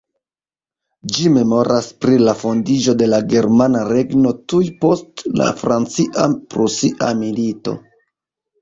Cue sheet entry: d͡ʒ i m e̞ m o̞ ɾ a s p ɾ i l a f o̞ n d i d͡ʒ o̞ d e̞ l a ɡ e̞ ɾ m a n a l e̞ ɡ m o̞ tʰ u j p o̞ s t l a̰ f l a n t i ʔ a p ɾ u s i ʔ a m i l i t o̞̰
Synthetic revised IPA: d͡ʒ i m e̞ m o̞ ɾ a s p ɾ i l a f o̞ n d i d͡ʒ o̞ d e̞ l a ɡ e̞ ɾ m a n a ɾ e̞ ɡ n o̞ t u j p o̞ s t l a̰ f ɾ a n t͡s i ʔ a p ɾ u s i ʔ a m i l i t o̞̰